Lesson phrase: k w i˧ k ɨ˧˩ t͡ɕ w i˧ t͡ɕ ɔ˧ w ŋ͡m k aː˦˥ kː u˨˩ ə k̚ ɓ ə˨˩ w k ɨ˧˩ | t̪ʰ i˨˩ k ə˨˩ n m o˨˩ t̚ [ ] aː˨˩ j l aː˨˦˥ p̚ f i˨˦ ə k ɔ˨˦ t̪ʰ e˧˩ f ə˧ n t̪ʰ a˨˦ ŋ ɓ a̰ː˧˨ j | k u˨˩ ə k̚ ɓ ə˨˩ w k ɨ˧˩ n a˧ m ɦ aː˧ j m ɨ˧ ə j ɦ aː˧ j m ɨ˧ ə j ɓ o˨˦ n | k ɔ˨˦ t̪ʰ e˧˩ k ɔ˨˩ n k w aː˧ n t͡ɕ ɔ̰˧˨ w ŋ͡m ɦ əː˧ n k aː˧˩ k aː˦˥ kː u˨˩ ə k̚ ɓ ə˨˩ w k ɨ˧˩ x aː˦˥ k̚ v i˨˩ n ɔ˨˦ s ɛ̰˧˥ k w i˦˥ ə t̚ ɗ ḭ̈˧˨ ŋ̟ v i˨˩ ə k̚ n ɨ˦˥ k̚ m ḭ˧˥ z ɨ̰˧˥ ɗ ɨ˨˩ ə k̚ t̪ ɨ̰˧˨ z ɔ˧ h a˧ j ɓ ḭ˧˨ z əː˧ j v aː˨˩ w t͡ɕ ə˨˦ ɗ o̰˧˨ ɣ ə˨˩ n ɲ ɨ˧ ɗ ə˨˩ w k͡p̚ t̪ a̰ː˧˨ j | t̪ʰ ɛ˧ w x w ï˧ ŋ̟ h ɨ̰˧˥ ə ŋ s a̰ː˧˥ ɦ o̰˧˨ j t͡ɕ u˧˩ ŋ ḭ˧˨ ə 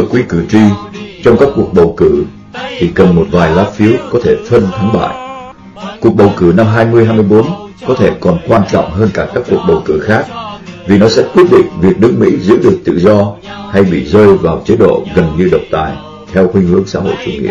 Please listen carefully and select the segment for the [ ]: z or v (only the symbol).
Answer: v